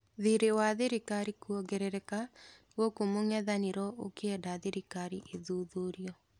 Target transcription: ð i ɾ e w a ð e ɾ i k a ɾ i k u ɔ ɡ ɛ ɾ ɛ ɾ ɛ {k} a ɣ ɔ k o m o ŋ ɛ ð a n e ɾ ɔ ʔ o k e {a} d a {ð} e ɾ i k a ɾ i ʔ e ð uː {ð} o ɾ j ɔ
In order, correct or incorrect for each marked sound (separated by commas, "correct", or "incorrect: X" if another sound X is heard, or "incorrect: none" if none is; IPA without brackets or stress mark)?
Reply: correct, incorrect: ɛ, correct, correct